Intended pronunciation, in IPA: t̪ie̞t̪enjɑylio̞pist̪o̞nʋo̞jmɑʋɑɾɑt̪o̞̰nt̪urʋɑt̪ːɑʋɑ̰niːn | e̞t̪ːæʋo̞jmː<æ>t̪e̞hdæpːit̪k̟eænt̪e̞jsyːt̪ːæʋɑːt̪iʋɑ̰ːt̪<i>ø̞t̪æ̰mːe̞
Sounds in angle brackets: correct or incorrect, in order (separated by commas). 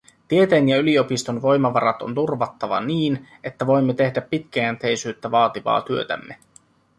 incorrect, incorrect